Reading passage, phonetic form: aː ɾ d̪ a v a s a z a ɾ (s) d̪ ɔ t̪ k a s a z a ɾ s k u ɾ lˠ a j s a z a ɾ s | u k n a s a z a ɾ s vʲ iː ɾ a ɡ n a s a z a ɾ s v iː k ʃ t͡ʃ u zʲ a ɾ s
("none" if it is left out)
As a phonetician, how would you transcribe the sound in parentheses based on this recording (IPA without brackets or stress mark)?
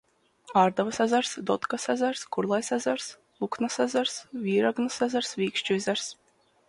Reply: s